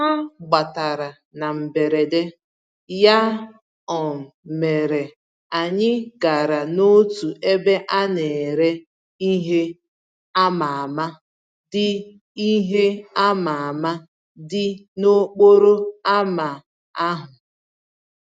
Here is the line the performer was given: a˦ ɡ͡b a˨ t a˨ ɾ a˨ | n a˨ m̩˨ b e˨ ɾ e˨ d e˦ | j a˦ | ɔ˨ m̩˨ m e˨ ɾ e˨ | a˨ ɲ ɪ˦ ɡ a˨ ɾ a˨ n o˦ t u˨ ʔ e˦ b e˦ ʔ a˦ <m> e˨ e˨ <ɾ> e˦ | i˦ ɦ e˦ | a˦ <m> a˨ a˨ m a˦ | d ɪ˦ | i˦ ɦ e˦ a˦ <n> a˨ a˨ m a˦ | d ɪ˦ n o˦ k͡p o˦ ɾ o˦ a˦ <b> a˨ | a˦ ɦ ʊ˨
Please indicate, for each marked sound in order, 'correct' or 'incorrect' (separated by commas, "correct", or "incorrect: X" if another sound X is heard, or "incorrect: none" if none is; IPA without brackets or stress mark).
incorrect: n, correct, correct, incorrect: m, incorrect: m